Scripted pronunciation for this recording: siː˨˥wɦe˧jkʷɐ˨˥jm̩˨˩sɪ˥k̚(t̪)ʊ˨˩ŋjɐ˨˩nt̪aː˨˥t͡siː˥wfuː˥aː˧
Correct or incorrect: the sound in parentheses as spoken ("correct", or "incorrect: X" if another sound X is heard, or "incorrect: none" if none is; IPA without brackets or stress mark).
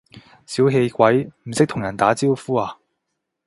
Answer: incorrect: t̪ʰ